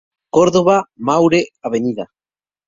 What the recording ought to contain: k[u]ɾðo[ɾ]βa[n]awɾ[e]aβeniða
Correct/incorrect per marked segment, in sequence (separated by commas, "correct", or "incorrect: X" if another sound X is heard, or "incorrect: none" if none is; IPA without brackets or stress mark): incorrect: o, incorrect: none, incorrect: m, correct